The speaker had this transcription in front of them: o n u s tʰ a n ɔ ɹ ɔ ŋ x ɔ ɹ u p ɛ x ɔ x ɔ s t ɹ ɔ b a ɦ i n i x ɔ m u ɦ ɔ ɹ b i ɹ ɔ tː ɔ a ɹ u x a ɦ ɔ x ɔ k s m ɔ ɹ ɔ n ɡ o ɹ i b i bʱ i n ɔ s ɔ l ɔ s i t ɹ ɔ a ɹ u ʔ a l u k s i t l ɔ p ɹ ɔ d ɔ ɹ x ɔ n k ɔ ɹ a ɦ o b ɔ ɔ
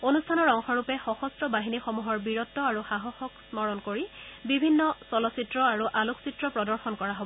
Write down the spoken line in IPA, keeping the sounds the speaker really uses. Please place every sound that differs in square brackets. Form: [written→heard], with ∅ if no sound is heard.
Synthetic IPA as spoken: o n u s tʰ a n ɔ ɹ ɔ ŋ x ɔ ɹ u p ɛ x ɔ x ɔ s t ɹ ɔ b a ɦ i n i x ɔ m u ɦ ɔ ɹ b i ɹ ɔ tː ɔ a ɹ u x a ɦ ɔ x ɔ k s m ɔ ɹ ɔ n [ɡ→k] o ɹ i b i bʱ i [n→nː] ɔ s ɔ l ɔ s i t ɹ ɔ a ɹ u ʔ a l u k s i t [l→ɹ] ɔ p ɹ ɔ d ɔ ɹ x ɔ n k ɔ ɹ a ɦ o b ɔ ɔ